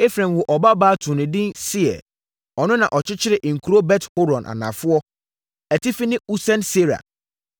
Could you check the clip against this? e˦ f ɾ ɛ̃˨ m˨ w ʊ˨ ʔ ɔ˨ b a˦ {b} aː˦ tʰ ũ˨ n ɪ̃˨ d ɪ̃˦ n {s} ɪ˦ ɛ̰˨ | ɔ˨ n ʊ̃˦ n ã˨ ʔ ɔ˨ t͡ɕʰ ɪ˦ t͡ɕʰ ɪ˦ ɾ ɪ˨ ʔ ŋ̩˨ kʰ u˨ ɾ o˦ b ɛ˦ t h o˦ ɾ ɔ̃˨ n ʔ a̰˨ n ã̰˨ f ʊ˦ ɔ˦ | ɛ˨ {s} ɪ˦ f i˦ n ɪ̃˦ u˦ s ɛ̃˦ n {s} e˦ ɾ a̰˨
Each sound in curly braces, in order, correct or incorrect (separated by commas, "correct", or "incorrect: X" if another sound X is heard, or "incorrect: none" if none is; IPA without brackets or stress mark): correct, correct, incorrect: t, correct